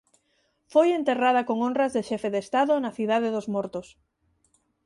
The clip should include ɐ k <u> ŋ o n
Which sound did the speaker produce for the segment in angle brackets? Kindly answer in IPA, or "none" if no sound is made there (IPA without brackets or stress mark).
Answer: o